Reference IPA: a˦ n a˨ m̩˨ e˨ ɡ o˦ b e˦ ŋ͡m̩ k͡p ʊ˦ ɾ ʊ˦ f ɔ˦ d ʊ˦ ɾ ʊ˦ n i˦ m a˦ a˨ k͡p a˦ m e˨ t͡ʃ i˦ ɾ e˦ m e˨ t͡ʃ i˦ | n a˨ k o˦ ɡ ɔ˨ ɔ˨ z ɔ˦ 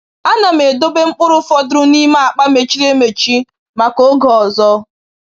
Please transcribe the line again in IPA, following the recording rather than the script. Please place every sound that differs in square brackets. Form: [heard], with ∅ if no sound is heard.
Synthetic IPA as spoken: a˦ n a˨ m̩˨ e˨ [d] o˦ b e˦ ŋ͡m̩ k͡p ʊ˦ ɾ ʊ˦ f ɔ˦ d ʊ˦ ɾ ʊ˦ n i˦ m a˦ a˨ k͡p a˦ m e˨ t͡ʃ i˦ ɾ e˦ m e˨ t͡ʃ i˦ | [m] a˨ k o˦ ɡ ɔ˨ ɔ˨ z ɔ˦